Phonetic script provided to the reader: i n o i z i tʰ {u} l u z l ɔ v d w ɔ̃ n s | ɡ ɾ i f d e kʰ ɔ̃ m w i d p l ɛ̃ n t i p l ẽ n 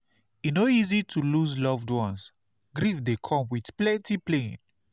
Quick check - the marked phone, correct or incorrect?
correct